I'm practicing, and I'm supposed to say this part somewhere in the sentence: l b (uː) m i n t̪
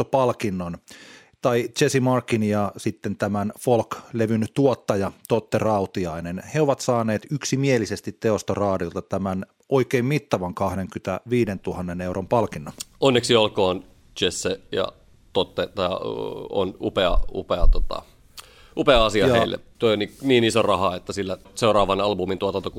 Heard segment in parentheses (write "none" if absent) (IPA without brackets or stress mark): u